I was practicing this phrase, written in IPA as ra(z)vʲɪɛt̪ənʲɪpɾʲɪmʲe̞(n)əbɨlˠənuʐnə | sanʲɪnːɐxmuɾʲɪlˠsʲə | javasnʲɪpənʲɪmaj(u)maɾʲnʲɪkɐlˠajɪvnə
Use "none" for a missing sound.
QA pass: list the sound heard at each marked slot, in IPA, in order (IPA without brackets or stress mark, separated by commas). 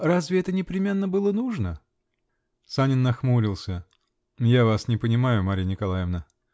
z, nː, ʊ